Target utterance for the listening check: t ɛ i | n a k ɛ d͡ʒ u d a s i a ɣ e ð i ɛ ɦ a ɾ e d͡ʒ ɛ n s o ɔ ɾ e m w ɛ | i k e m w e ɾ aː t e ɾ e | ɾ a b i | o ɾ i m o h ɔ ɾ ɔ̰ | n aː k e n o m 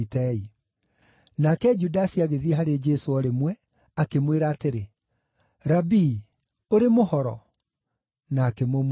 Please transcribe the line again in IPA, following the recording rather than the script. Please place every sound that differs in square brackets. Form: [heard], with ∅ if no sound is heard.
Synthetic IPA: t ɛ i | n a k ɛ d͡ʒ u d a s i a ɣ e ð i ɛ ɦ a ɾ e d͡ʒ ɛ [∅] s o ɔ ɾ e m w ɛ | [a] k e m w e ɾ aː t e ɾ e | ɾ a b i | o ɾ [e] m o h ɔ ɾ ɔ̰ | n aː k e [m] o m

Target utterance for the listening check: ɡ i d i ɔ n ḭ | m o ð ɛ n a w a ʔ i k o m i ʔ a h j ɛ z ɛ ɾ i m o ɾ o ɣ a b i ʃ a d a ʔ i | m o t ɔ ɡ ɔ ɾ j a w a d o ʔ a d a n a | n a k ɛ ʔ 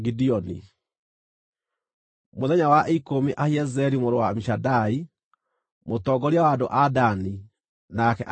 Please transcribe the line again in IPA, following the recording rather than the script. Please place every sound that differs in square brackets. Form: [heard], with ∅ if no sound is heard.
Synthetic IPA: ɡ i d i ɔ n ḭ | m o ð ɛ [ɲ] a w a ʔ i k o m i ʔ a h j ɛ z ɛ ɾ i m o ɾ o [w] a [m] i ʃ a d a [∅] i | m o t ɔ ɡ ɔ ɾ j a w a d o ʔ a d a n [i] | n a k ɛ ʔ

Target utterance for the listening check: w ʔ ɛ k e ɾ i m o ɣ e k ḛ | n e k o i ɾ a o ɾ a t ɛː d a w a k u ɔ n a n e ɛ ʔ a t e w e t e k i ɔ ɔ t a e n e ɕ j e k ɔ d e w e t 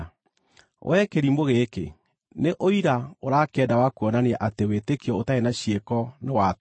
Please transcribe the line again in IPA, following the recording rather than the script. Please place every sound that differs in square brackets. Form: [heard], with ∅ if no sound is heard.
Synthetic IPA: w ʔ ɛ k e ɾ i m o ɣ e k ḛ | n e [ʔ] o i ɾ a o ɾ a [k] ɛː d a w a k u ɔ n a n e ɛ ʔ a t e w e t e k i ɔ [o] t a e n [a] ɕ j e k ɔ [n] e w [a] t

